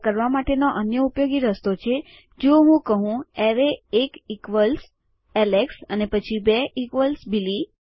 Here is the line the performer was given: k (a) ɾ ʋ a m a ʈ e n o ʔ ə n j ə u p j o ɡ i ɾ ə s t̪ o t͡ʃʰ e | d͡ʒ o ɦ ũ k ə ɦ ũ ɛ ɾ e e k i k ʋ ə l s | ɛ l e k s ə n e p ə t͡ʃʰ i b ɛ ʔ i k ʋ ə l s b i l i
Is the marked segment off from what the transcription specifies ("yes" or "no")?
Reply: yes